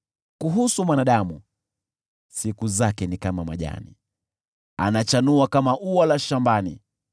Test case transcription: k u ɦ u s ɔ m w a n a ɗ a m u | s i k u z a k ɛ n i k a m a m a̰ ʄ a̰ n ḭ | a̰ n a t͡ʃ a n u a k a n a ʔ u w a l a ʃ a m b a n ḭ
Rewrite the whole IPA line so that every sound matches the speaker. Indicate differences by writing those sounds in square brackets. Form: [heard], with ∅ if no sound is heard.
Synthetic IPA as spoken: k u ɦ u s [u] m w a n a ɗ a m u | s i k u z a k ɛ n i k a m a m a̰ ʄ a̰ n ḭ | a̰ n a t͡ʃ a n u a k a [m] a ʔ u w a l a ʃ a m b a n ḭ